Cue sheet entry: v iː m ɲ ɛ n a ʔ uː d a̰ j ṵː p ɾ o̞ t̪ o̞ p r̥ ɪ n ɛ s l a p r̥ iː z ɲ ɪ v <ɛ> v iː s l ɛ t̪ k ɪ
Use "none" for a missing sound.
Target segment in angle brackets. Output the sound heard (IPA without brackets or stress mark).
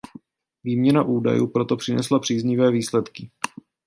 ɛː